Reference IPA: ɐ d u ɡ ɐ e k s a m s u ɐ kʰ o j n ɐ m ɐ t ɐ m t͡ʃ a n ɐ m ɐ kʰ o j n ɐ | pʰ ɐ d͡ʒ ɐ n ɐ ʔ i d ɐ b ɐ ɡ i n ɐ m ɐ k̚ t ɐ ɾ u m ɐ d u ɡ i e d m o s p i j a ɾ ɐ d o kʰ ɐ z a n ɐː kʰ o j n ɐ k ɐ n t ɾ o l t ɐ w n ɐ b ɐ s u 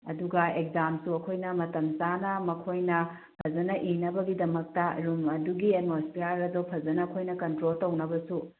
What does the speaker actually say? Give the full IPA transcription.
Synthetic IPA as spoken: ɐ d u ɡ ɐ e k z a m s u ɐ kʰ o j n ɐ m ɐ t ɐ m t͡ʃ a n ɐ m ɐ kʰ o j n ɐ | pʰ ɐ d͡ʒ ɐ n ɐ ʔ i n ɐ b ɐ ɡ i d ɐ m ɐ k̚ t ɐ ɾ u m ɐ d u ɡ i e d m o s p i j a ɾ ɐ d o pʰ ɐ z ɐ n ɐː kʰ o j n ɐ k ɐ n t ɾ o l t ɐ w n ɐ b ɐ s u